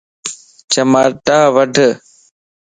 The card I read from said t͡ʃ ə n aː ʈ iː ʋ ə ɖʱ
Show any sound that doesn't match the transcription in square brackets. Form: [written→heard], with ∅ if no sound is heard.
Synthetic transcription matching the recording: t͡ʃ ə [n→m] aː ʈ [iː→aː] ʋ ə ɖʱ